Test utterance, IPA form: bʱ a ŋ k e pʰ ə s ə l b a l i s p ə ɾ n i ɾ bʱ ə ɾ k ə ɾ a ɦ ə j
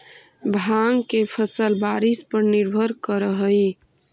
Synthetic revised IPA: bʱ a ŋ k e pʰ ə s ə l b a ɾ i s p ə ɾ n i ɾ bʱ ə ɾ k ə ɾ ə ɦ ə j

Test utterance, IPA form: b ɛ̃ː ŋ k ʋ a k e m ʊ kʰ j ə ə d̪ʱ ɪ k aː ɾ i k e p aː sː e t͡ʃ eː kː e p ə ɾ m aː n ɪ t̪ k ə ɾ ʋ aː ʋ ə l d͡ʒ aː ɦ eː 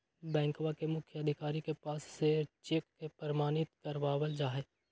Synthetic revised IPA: b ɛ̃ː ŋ k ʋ a k e m ʊ kʰ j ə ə d̪ʱ ɪ k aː ɾ i k e p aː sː e t͡ʃ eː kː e p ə ɾ m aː n ɪ t̪ k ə ɾ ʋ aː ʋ ə l d͡ʒ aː ɦ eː

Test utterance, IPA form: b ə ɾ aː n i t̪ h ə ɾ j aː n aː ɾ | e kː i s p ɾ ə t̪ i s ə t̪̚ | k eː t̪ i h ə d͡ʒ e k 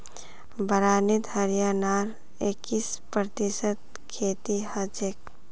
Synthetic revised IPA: b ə ɾ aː n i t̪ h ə ɾ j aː n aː ɾ | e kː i s p ɾ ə t̪ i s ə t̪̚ | kʰ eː t̪ i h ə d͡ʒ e k

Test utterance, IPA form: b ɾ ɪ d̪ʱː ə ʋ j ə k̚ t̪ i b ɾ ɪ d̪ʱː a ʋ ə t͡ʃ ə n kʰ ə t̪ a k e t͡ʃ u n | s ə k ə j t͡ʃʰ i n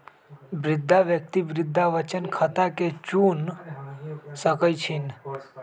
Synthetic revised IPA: b ɾ ɪ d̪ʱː a ʋ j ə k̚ t̪ i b ɾ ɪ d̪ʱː a ʋ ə t͡ʃ ə n kʰ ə t̪ a k e t͡ʃ u n | s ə k ə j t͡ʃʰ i n

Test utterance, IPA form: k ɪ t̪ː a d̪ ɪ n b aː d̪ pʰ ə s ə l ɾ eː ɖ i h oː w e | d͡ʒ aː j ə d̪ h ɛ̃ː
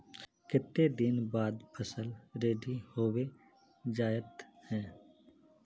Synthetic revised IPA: k ɪ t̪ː e d̪ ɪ n b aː d̪ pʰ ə s ə l ɾ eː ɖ i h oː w e | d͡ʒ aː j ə t̪ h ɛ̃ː

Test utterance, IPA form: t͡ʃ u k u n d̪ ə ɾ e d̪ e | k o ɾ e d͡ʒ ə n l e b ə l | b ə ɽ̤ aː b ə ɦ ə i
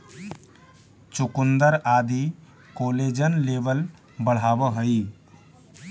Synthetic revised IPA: t͡ʃ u k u n d̪ ə ɾ a d̪ i | k o l e d͡ʒ ə n l e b ə l | b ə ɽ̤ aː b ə ɦ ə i

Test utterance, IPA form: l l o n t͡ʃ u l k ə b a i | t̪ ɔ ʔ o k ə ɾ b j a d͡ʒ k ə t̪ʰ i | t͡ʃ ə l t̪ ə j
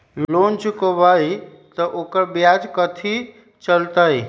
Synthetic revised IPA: l l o n t͡ʃ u k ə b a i | t̪ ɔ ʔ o k ə ɾ b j a d͡ʒ k ə t̪ʰ i | t͡ʃ ə l t̪ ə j

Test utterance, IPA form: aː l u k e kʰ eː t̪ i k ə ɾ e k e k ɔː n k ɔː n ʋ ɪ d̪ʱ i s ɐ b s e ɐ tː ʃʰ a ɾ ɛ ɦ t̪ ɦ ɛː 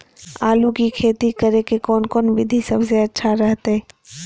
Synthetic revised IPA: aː l u k i kʰ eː t̪ i k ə ɾ e k e k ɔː n k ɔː n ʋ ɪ d̪ʱ i s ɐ b s e ɐ tː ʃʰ a ɾ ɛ ɦ t̪ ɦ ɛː

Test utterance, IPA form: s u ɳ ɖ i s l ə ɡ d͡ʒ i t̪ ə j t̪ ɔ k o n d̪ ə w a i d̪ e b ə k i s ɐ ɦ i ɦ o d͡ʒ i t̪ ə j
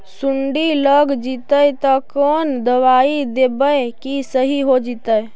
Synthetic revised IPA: s u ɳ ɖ i l ə ɡ d͡ʒ i t̪ ə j t̪ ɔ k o n d̪ ə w a i d̪ e b ə k i s ə ɦ i ɦ o d͡ʒ i t̪ ə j

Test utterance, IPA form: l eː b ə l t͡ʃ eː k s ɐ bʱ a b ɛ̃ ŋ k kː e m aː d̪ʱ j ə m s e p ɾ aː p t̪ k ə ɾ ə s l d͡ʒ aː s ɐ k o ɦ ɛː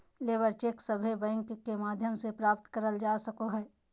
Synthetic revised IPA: l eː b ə ɾ t͡ʃ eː k s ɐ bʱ e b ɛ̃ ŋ k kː e m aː d̪ʱ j ə m s e p ɾ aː p t̪ k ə ɾ ə l d͡ʒ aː s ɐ k o ɦ ɛː

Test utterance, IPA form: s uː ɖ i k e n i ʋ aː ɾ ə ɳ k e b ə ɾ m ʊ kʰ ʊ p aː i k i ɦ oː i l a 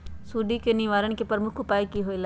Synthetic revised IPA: s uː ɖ i k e n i ʋ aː ɾ ə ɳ k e p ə ɾ m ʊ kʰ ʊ p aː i k i ɦ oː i l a

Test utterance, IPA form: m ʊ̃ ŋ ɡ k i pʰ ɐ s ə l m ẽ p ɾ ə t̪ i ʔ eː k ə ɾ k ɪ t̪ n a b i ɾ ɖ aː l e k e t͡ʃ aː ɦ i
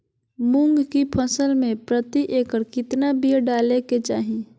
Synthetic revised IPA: m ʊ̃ ŋ ɡ k i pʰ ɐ s ə l m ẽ p ɾ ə t̪ i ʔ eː k ə ɾ k ɪ t̪ n a b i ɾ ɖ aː l e k e t͡ʃ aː ɦ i

